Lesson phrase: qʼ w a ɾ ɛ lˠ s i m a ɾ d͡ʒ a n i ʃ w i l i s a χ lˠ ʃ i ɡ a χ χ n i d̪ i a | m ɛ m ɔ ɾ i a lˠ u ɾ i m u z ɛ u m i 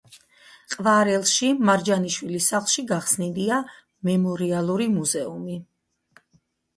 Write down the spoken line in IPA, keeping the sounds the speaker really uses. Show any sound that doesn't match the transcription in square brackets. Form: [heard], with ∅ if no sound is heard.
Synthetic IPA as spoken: qʼ [v] a ɾ ɛ lˠ [ʃ] i m a ɾ d͡ʒ a n i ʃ w i l i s a χ lˠ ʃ i ɡ a χ [s] n i d̪ i a | m ɛ m ɔ ɾ i a lˠ u ɾ i m u z ɛ u m i